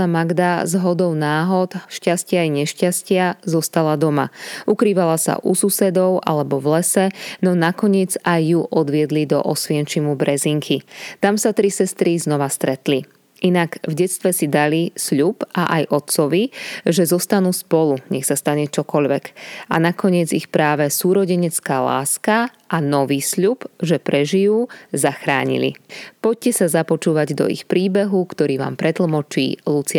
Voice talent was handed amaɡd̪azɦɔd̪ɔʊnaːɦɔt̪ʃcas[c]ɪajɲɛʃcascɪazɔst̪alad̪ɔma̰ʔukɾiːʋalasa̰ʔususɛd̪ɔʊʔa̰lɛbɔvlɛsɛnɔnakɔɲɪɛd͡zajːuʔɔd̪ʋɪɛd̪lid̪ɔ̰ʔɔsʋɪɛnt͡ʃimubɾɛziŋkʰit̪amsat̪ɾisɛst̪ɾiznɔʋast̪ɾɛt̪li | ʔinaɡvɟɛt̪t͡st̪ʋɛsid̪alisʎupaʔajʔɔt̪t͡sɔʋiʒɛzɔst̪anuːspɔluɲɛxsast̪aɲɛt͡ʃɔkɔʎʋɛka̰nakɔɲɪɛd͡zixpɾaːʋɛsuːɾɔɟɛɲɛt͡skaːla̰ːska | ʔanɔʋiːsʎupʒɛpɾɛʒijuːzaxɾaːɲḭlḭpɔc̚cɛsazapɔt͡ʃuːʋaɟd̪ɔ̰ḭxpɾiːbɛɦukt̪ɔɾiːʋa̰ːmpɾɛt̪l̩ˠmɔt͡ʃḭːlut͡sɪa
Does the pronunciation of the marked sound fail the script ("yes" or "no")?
no